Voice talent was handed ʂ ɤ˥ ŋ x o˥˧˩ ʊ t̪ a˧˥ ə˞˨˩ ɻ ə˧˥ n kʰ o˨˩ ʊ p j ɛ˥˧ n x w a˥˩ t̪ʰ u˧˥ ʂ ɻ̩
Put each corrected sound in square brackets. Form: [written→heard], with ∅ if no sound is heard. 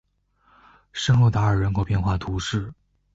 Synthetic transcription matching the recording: ʂ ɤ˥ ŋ x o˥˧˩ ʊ t̪ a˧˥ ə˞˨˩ ɻ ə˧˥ n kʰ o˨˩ ʊ p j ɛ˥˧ n x w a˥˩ t̪ʰ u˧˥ ʂ ɻ̩